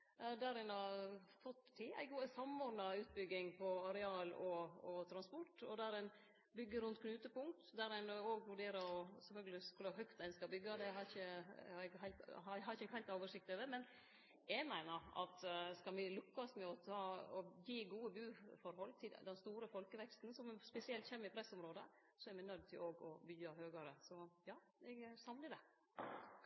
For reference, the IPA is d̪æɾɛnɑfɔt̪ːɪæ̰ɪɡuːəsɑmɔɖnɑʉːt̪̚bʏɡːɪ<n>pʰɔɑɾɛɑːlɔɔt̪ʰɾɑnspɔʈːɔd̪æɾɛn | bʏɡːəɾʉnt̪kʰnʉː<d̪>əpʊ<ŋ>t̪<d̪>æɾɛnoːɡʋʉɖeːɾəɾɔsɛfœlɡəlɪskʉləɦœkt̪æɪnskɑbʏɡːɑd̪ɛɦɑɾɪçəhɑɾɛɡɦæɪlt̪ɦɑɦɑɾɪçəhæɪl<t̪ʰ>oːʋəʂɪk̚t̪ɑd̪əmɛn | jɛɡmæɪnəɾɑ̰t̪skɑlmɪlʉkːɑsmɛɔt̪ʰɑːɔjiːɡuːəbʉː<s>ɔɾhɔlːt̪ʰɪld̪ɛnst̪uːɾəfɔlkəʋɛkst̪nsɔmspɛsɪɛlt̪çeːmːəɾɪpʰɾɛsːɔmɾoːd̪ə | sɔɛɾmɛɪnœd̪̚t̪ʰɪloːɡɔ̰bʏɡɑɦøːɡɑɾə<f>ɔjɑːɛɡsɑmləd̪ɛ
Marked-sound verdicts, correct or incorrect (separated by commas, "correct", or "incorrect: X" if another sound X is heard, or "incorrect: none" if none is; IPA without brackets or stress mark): incorrect: ŋ, incorrect: t̪, correct, correct, incorrect: t̪, incorrect: f, incorrect: s